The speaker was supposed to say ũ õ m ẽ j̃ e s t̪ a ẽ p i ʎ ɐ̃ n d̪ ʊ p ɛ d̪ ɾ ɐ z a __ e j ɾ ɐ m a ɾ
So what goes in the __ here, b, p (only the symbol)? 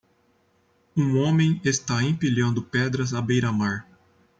b